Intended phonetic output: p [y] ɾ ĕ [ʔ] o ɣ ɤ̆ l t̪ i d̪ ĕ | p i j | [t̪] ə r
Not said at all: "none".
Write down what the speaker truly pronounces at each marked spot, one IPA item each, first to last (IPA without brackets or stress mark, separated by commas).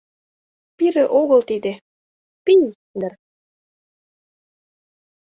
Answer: i, ʔ, d̪